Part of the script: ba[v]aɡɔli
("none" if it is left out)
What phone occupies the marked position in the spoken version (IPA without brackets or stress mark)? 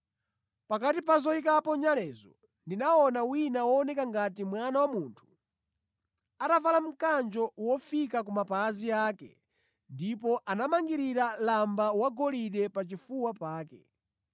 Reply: w